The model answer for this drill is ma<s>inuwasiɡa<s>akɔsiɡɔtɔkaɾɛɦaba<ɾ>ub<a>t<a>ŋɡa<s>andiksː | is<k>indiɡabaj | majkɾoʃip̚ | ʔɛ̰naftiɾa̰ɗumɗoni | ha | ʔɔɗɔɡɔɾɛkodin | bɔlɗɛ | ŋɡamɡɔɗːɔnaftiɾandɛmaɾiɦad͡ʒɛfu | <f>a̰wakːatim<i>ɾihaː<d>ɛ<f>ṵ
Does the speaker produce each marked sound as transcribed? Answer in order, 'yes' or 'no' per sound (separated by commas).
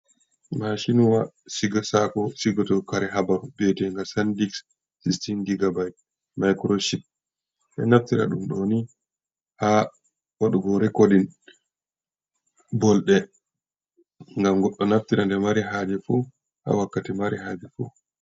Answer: no, yes, yes, no, no, yes, no, no, no, no, yes